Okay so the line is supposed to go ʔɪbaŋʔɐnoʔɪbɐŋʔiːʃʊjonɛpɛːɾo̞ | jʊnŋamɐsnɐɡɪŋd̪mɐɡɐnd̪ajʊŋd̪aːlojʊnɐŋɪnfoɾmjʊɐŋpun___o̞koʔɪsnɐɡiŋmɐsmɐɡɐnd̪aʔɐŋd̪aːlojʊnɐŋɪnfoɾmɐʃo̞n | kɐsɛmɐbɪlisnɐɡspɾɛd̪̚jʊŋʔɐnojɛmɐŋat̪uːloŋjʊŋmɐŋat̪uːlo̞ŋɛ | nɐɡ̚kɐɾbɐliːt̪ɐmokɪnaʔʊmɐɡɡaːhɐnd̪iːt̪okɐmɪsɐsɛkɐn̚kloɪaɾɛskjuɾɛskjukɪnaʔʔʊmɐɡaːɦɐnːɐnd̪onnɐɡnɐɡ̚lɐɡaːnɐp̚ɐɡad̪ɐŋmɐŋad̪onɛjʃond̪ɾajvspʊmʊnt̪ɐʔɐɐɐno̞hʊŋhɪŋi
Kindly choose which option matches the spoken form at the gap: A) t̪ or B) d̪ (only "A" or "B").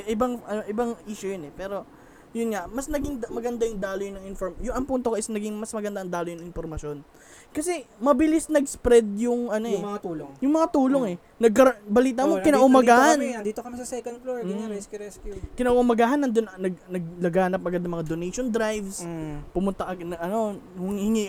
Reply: A